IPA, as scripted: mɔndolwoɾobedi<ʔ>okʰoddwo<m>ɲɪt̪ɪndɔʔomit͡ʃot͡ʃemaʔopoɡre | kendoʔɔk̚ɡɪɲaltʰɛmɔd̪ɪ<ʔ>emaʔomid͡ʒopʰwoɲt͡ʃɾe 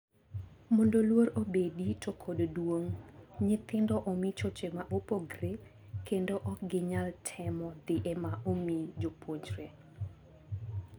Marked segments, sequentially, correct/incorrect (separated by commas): incorrect, incorrect, correct